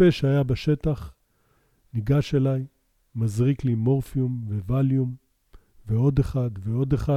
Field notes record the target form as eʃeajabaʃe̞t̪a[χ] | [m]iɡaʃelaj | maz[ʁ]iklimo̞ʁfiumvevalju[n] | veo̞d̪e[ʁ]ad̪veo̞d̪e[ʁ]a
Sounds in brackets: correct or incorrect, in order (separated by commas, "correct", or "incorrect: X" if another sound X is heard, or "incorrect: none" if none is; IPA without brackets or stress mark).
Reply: correct, incorrect: n, correct, incorrect: m, incorrect: χ, incorrect: χ